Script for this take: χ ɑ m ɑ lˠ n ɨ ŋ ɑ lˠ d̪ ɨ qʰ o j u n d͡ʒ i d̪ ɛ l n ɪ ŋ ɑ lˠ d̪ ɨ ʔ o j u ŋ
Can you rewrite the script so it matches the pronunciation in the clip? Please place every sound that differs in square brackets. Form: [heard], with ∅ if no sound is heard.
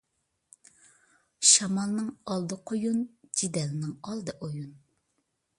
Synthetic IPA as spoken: [ʃ] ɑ m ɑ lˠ n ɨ ŋ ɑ lˠ d̪ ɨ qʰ o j u n d͡ʒ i d̪ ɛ l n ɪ ŋ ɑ lˠ d̪ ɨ ʔ o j u [n]